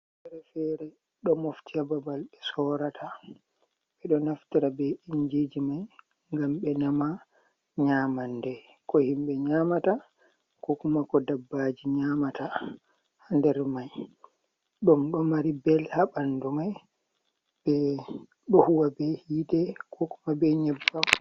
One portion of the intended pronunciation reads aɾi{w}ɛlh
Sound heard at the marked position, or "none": b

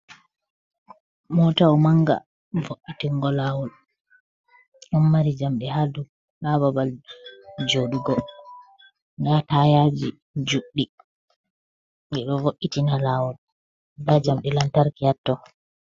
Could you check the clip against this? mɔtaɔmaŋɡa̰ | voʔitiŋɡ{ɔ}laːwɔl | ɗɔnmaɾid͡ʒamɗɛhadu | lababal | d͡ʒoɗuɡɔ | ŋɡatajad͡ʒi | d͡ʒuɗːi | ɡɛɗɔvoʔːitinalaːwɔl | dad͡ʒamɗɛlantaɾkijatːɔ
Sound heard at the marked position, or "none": ɔ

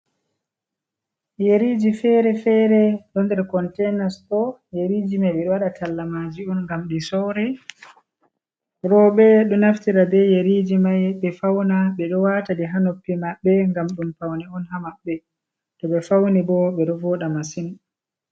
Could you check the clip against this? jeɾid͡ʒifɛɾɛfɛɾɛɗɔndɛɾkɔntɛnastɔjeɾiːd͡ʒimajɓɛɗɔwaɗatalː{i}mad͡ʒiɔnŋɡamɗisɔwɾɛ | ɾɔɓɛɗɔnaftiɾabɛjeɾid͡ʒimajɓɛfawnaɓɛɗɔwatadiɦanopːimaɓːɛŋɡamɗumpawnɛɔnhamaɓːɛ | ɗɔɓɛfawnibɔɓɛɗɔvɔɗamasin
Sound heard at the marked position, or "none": a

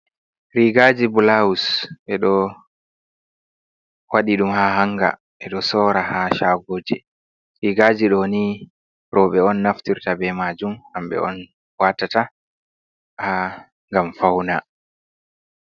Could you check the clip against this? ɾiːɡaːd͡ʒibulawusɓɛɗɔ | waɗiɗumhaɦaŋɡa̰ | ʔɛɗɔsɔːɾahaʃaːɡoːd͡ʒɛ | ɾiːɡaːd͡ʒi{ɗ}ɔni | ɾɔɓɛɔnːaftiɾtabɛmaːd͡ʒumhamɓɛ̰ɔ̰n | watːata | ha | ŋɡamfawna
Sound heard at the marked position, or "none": ɗ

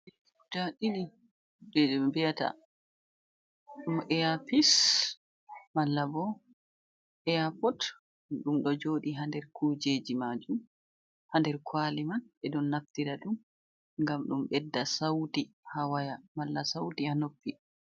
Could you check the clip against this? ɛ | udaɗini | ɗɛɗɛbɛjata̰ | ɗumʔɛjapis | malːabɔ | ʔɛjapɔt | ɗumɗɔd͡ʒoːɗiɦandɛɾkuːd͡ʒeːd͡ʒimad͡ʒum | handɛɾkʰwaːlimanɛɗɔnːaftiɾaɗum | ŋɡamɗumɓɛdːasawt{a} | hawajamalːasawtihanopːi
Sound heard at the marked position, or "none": i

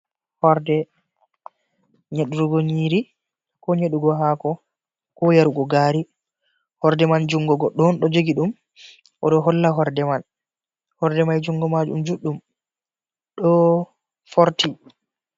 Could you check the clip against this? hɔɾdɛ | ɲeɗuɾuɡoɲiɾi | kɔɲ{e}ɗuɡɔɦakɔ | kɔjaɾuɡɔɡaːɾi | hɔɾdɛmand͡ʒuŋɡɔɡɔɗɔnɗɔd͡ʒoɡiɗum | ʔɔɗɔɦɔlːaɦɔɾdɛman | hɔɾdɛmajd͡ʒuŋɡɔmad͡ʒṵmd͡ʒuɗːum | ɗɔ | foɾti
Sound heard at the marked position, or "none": e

